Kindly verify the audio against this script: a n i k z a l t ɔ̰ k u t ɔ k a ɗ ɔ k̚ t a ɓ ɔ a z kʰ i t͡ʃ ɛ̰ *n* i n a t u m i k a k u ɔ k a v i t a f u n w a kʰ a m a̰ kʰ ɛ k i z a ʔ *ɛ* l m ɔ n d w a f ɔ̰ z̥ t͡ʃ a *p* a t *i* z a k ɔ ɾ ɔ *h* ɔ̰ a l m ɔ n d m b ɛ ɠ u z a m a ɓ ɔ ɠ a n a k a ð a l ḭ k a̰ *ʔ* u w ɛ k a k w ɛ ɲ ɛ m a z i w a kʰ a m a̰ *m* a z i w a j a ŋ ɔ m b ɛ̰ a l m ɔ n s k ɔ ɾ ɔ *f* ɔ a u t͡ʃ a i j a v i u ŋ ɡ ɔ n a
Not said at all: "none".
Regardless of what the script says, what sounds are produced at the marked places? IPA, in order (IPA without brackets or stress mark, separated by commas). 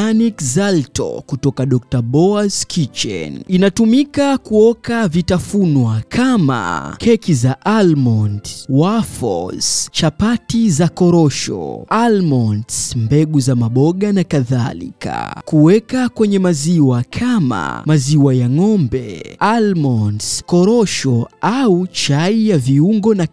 n, a, p, i, ʃ, k, m, ʃ